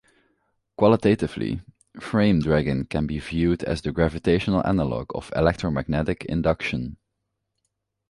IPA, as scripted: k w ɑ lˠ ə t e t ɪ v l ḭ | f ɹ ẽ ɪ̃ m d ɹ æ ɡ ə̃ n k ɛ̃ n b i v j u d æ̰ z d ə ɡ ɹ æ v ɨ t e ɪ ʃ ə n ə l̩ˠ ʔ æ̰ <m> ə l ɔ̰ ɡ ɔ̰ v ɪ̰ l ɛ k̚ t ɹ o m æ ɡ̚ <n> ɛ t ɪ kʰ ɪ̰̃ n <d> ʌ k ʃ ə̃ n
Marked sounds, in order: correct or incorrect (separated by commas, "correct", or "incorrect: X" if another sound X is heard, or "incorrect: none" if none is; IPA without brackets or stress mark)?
incorrect: n, correct, correct